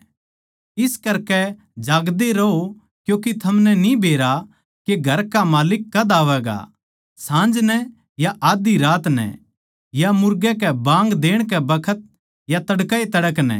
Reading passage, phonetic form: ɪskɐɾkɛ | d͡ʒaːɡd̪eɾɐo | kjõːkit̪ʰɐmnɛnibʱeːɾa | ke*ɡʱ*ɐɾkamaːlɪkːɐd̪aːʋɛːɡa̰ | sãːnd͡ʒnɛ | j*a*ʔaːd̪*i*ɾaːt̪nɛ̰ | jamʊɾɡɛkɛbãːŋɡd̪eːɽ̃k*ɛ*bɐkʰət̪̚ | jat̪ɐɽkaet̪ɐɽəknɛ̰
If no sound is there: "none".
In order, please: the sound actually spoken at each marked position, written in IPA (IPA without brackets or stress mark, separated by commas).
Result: ɡʱ, a, i, ɛ